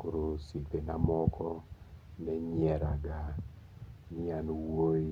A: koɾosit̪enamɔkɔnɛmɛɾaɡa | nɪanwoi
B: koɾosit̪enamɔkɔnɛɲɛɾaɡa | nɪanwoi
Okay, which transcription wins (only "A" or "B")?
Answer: B